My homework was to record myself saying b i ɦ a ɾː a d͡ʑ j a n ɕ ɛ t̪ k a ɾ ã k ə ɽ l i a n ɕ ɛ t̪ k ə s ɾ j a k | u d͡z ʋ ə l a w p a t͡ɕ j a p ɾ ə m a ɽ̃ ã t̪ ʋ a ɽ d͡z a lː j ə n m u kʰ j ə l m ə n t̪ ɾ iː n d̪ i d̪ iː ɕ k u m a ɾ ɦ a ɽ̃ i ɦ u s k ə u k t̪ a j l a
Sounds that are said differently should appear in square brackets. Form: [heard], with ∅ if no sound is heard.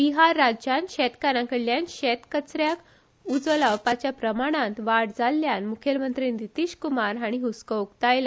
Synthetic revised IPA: b i ɦ a ɾː a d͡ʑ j a n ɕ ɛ t̪ k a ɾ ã k ə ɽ l [j] a n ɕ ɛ t̪ k ə [t͡s] ɾ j a k | u d͡z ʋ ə l a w p a t͡ɕ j a p ɾ ə m a ɽ̃ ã t̪ ʋ a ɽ d͡z a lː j [a] n m u kʰ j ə l m ə n t̪ ɾ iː n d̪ i [t̪] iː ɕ k u m a ɾ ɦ a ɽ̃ i ɦ u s k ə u k t̪ a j l a